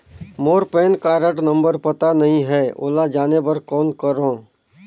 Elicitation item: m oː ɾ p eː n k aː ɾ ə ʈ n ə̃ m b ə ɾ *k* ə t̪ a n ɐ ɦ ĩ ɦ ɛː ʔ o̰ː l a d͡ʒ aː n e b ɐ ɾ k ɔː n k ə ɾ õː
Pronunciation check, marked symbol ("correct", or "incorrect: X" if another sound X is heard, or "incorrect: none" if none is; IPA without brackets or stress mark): incorrect: p